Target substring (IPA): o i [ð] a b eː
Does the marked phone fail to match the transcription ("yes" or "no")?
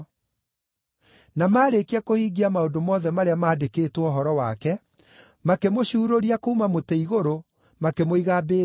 yes